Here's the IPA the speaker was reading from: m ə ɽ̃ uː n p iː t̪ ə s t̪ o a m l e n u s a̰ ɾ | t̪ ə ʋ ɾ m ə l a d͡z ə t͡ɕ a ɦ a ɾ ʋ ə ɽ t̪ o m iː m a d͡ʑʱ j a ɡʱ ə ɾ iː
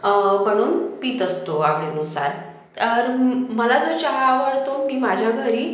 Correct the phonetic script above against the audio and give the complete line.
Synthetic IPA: m ə ɽ̃ uː n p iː t̪ ə s t̪ o a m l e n u s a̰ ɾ | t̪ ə ɾ m ə l a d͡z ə t͡ɕ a ɦ a ʋ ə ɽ t̪ o m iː m a d͡ʑʱ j a ɡʱ ə ɾ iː